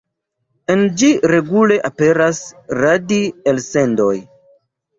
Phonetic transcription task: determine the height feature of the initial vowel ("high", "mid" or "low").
mid